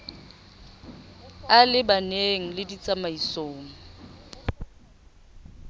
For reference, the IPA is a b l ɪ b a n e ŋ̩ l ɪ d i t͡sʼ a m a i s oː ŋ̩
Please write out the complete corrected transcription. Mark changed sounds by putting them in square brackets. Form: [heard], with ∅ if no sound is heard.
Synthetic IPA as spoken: a [∅] l ɪ b a n e ŋ̩ l ɪ d i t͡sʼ a m a i s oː ŋ̩